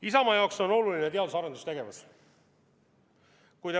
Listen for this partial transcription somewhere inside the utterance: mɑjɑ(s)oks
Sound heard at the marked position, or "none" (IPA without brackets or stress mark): none